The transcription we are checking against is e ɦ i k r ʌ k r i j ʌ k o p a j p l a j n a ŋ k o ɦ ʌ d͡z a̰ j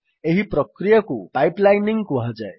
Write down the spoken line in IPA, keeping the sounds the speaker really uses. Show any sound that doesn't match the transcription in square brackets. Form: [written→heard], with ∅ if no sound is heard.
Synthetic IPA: e ɦ i [k→p] r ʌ k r i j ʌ k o p a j p l a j n [a→i] ŋ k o ɦ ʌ d͡z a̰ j